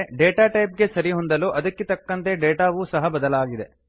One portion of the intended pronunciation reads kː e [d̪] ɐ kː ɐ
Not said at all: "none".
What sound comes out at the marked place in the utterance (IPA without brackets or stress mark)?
t̪